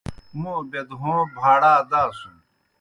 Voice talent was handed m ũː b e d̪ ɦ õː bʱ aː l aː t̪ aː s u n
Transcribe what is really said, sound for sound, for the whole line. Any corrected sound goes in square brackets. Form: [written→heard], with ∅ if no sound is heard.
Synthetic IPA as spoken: m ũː b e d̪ ɦ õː bʱ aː [l→ɽ] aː [t̪→d̪] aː s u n